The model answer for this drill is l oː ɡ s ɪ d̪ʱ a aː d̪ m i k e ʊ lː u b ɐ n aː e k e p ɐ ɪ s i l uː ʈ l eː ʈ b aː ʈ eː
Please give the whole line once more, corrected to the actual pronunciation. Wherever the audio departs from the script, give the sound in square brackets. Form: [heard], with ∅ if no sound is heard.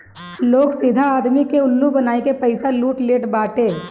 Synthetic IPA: l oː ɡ s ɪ d̪ʱ a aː d̪ m i k e ʊ lː u b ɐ n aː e k e p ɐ ɪ s [a] l uː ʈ l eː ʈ b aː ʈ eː